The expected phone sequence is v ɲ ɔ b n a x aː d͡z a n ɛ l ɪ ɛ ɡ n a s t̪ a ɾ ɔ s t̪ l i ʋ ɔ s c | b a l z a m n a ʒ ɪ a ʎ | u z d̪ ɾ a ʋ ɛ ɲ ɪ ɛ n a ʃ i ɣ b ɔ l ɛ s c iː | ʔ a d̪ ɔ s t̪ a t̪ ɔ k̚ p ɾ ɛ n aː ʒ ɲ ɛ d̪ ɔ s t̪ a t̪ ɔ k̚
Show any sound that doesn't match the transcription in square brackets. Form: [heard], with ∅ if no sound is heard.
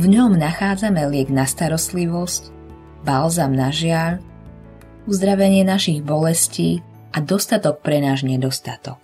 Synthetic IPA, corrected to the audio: v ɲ ɔ [m] n a x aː d͡z a [m] ɛ l ɪ ɛ ɡ n a s t̪ a ɾ ɔ s t̪ l i ʋ ɔ s c | b a l z a m n a ʒ ɪ a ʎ | u z d̪ ɾ a ʋ ɛ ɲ ɪ ɛ n a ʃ i ɣ b ɔ l ɛ s c iː | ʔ a d̪ ɔ s t̪ a t̪ ɔ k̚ p ɾ ɛ n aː ʒ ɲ ɛ d̪ ɔ s t̪ a t̪ ɔ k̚